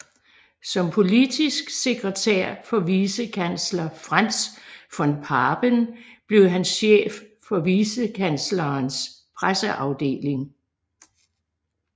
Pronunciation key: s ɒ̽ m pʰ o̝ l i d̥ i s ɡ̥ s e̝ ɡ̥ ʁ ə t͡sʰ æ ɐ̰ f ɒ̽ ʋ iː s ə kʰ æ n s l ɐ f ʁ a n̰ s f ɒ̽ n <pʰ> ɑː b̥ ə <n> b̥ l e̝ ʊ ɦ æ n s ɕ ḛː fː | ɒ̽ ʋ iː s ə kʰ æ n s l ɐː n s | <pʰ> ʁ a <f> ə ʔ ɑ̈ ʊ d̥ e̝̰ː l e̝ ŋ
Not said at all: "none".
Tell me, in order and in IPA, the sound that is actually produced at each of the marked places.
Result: pʰ, n, pʰ, s

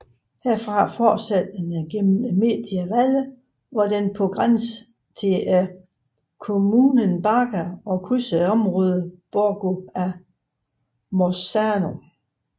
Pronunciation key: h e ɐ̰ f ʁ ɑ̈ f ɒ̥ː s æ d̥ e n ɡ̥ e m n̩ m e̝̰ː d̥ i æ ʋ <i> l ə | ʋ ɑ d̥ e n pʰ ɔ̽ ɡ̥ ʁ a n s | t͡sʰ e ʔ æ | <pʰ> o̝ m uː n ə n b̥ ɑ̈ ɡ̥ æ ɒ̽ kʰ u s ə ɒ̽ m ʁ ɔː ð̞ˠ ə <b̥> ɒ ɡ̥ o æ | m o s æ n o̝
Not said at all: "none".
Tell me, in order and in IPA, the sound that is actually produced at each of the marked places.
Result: æ, kʰ, b̥

